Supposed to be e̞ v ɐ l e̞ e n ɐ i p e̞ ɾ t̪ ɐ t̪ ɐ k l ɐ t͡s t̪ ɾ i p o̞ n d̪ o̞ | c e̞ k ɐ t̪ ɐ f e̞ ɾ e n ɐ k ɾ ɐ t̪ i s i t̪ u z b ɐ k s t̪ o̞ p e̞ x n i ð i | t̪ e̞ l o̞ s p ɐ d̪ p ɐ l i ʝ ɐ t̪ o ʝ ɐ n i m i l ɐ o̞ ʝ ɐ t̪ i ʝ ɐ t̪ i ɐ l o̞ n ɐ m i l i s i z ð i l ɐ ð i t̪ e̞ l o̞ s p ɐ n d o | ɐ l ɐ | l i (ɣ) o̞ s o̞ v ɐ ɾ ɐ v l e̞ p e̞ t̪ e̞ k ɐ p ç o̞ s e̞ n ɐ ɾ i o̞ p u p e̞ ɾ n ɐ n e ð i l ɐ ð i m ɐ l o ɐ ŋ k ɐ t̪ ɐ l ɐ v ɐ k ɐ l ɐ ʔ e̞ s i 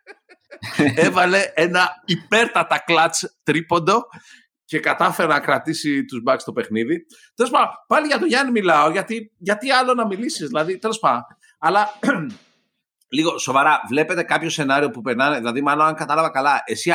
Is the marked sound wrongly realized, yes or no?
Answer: no